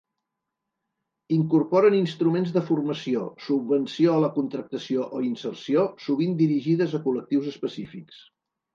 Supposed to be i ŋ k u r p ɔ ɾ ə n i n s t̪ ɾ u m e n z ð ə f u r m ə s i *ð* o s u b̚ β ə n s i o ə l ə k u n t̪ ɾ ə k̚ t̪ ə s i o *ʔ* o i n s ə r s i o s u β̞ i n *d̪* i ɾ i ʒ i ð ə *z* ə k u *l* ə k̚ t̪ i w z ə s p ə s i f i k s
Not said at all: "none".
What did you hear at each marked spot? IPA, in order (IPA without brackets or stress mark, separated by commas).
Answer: none, ʔ, d̪, z, l